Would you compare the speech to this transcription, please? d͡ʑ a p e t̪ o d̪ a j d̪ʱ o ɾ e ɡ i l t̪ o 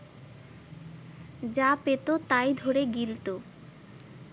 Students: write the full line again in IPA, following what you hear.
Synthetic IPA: d͡ʑ a p e t̪ o t̪ a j d̪ʱ o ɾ e ɡ i l t̪ o